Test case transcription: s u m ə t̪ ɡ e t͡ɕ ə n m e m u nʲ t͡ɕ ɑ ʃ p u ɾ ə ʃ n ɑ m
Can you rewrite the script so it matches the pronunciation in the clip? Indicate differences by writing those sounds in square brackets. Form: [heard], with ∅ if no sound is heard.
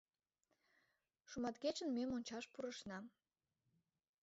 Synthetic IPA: [ʃ] u m [ɑ] t̪ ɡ e t͡ɕ ə n m e m [o] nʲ t͡ɕ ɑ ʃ p u ɾ ə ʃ n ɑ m